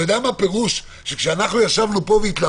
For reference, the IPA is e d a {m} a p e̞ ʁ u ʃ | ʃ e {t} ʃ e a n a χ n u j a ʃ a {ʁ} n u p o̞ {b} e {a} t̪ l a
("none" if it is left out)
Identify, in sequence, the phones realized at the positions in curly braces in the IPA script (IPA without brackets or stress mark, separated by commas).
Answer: m, k, v, v, i